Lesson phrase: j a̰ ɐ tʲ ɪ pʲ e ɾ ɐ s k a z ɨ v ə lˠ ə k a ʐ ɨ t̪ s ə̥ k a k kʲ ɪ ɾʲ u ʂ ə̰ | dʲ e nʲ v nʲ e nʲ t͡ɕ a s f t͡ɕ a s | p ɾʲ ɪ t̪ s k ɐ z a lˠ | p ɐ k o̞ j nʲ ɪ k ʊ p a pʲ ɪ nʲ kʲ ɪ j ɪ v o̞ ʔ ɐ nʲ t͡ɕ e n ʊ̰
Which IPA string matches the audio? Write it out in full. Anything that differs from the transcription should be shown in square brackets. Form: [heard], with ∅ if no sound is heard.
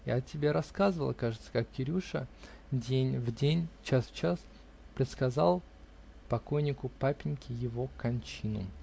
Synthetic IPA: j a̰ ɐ tʲ ɪ [bʲ] e ɾ ɐ s k a z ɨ v ə lˠ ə k a ʐ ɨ t̪ s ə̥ k a k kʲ ɪ ɾʲ u ʂ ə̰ | dʲ e nʲ v [dʲ] e nʲ t͡ɕ a s f t͡ɕ a s | p ɾʲ ɪ t̪ s k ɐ z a lˠ | p ɐ k o̞ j nʲ ɪ k ʊ p a pʲ ɪ nʲ kʲ ɪ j ɪ v o̞ [k] ɐ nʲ t͡ɕ [i] n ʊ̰